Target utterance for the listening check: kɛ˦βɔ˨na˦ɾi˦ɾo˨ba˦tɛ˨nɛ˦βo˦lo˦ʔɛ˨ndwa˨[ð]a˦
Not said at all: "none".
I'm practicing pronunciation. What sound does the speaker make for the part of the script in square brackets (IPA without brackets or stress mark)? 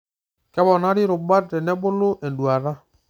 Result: ð